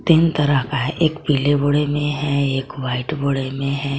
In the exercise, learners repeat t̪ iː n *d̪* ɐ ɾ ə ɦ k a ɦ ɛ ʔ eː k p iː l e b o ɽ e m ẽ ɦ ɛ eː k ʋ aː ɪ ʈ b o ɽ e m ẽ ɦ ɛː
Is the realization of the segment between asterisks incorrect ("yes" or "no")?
yes